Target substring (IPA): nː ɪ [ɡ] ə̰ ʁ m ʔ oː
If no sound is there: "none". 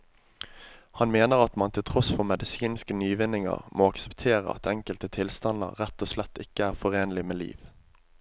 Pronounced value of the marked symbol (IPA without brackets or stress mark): ŋ